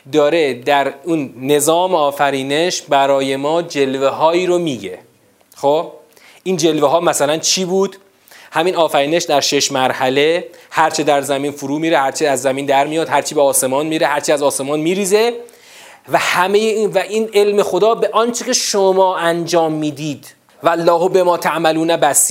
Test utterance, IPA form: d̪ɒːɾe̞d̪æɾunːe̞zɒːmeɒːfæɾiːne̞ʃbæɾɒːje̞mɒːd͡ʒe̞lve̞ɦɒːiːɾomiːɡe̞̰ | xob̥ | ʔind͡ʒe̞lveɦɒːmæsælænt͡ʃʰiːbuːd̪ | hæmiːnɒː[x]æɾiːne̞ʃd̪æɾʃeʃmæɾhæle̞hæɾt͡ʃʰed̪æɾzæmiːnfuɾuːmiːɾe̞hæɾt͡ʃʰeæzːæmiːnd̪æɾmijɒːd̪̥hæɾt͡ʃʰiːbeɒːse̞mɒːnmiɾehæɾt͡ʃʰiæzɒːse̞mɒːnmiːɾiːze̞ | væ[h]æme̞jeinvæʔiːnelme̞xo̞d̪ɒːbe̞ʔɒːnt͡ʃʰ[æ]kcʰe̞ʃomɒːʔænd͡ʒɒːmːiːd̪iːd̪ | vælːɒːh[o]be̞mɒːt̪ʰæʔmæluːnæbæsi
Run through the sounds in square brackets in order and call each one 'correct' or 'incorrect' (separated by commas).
incorrect, correct, incorrect, correct